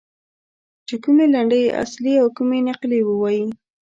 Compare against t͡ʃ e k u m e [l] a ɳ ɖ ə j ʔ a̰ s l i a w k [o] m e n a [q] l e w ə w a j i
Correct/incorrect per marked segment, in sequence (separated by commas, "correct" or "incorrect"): correct, incorrect, correct